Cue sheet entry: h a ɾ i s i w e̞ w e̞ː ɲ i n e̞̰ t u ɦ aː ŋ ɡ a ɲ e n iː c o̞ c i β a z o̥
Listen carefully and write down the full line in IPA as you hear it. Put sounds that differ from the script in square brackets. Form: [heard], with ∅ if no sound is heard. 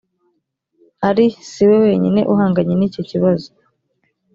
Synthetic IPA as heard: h a ɾ i s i w e̞ w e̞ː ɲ i n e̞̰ [ʔ] u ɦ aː ŋ ɡ a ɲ e n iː c o̞ c i β a z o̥

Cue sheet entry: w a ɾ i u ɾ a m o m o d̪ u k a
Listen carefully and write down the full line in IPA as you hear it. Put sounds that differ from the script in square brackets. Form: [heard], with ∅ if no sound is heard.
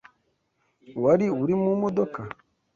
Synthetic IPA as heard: w a ɾ i u ɾ [i] m [u] m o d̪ [o] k a

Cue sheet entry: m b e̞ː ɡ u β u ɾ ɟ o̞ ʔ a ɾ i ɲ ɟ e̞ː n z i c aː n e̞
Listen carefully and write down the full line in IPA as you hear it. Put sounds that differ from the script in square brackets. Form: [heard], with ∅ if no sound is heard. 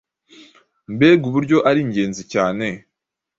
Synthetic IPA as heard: m b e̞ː ɡ u β u ɾ ɟ o̞ ʔ a ɾ i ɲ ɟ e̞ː n z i c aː n e̞

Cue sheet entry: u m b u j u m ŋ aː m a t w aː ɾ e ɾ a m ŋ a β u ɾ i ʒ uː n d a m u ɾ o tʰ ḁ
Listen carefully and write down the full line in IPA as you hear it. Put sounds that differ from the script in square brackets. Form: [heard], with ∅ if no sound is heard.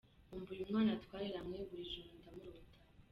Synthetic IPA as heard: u m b u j u m ŋ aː [n] a t w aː ɾ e ɾ a m ŋ [e] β u ɾ i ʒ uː n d a m u ɾ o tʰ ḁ

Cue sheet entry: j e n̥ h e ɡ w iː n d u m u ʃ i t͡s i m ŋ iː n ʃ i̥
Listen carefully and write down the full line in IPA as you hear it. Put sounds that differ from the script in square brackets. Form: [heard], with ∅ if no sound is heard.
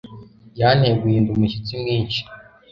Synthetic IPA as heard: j [a] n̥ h e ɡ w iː n d u m u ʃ i t͡s i m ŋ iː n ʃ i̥

